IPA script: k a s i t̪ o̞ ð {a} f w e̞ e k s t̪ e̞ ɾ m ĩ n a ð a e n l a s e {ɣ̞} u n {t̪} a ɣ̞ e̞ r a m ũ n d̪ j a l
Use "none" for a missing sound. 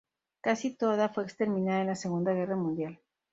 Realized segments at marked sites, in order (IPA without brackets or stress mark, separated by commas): a, ɣ̞, d̪